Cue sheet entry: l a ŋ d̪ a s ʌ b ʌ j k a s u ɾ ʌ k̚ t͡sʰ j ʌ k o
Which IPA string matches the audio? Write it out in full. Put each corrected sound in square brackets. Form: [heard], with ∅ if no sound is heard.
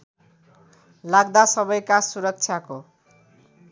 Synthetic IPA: l a [ɡ] d̪ a s ʌ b ʌ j k a s u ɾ ʌ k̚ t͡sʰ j [a] k o